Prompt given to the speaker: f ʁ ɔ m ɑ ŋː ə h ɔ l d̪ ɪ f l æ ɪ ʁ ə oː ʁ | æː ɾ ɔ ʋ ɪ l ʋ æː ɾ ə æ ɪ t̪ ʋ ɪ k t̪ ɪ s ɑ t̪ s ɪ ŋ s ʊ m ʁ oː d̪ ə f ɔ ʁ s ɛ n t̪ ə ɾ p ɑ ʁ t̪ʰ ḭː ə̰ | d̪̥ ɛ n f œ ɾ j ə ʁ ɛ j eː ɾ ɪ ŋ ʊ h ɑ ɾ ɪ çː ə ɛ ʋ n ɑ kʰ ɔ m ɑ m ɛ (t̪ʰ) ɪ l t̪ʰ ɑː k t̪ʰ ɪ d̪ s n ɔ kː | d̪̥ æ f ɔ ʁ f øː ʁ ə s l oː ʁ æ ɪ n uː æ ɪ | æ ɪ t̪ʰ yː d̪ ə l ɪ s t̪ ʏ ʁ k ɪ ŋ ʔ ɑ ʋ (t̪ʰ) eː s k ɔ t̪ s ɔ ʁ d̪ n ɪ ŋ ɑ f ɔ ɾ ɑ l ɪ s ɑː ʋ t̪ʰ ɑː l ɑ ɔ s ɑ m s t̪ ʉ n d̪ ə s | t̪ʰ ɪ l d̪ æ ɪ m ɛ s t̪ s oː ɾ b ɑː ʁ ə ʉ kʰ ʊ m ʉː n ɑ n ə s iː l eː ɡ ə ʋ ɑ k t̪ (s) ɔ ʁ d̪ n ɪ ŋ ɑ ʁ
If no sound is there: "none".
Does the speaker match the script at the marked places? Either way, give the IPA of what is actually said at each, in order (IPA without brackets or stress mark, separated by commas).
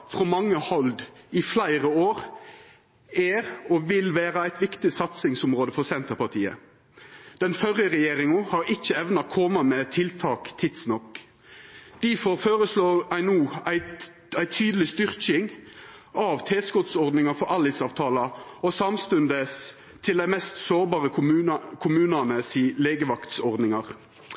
t̪ʰ, t̪ʰ, s